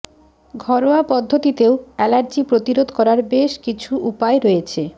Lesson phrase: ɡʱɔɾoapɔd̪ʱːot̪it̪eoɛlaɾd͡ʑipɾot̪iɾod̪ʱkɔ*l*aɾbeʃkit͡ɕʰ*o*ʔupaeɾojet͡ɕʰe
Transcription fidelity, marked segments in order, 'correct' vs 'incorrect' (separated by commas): incorrect, incorrect